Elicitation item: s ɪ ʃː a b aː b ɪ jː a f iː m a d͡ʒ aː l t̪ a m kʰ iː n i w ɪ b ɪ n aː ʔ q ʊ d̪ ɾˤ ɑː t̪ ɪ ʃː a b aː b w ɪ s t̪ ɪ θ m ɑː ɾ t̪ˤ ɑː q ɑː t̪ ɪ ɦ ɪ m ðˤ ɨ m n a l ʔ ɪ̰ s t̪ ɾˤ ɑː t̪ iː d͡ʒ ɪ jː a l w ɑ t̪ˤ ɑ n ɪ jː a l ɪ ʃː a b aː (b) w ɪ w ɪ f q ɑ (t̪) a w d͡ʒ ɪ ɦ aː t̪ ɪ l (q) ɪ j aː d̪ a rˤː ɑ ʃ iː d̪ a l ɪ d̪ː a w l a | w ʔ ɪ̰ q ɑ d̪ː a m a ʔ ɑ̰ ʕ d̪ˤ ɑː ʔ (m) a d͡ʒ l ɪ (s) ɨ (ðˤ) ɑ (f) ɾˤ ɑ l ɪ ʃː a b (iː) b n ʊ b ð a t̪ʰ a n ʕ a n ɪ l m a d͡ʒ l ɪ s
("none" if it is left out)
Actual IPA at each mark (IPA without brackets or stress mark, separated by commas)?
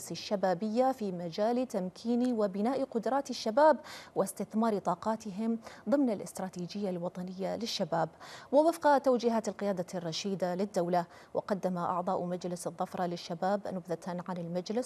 b, t̪, q, m, s, ðˤː, f, aː